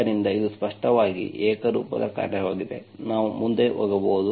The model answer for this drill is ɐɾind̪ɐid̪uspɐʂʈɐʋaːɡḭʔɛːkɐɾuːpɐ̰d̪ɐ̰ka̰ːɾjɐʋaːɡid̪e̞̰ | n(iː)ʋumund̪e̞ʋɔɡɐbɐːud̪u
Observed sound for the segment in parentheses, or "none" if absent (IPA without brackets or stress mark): aː